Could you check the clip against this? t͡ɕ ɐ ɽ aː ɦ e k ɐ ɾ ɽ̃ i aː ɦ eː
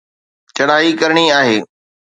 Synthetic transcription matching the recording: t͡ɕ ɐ ɽ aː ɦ i k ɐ ɾ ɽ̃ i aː ɦ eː